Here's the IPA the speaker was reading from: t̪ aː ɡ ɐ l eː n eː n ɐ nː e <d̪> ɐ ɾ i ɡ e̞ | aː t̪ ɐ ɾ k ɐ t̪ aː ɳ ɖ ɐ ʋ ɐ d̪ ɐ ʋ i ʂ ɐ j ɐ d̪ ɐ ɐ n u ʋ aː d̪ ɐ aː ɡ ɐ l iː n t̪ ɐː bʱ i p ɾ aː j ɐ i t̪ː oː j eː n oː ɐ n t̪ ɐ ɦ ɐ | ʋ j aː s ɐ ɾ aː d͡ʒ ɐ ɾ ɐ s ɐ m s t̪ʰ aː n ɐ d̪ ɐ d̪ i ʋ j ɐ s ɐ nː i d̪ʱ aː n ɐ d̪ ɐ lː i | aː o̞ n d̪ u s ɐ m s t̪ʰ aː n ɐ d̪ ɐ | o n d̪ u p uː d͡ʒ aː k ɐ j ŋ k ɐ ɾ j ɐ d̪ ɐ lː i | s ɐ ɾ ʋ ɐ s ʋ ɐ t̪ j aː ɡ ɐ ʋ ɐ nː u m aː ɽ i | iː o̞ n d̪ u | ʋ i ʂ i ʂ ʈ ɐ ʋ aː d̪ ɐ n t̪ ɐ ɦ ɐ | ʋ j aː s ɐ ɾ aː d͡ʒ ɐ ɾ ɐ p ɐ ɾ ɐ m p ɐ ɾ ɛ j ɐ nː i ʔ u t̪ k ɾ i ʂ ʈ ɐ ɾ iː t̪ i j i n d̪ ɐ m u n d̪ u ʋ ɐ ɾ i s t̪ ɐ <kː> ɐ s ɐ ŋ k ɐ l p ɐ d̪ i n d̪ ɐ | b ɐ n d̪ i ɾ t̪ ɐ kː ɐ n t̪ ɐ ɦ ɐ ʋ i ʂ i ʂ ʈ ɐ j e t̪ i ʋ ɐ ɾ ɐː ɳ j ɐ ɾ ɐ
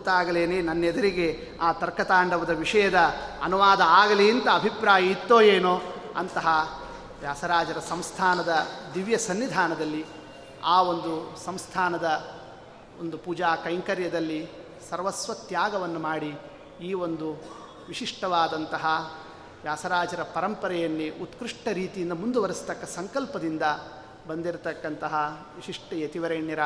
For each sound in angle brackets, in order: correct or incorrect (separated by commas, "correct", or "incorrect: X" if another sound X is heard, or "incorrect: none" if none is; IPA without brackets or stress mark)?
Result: correct, correct